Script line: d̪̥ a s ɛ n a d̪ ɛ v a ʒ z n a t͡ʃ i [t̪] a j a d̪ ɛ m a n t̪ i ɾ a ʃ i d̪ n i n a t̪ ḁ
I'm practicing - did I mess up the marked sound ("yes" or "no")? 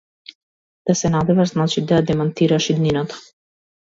yes